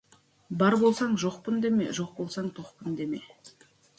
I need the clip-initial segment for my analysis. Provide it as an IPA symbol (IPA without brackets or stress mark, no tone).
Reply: b